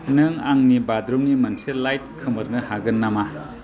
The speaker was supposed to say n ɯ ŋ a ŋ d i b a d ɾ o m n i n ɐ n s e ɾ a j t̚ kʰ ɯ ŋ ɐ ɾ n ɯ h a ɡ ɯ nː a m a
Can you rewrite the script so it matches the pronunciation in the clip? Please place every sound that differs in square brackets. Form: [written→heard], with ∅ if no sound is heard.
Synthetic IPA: n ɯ ŋ a ŋ [d→n] i b a d ɾ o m n i [n→m] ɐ n s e [ɾ→l] a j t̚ kʰ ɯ [ŋ→m] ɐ ɾ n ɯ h a ɡ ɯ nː a m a